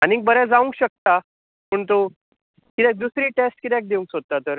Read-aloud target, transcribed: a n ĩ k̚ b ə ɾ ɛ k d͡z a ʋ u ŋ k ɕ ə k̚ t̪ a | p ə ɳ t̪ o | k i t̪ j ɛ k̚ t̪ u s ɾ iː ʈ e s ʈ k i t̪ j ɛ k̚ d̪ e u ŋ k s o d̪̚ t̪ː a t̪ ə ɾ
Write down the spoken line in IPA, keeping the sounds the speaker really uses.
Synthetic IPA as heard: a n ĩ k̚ b ə ɾ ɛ d͡z a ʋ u ŋ k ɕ ə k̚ t̪ a | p ə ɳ t̪ o | k i t̪ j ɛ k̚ d̪ u s ɾ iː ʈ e s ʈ k i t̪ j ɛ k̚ d̪ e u ŋ k s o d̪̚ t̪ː a t̪ ə ɾ

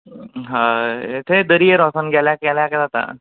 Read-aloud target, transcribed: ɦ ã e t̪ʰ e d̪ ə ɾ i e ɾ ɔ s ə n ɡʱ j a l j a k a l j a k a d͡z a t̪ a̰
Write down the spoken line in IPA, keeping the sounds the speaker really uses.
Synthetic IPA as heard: ɦ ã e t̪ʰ e d̪ ə ɾ i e ɾ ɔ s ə n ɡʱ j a l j a k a l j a k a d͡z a t̪ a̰

